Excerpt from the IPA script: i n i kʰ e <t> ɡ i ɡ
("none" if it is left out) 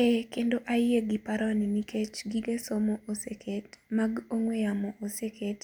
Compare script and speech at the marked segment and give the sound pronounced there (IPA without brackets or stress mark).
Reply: t͡ʃ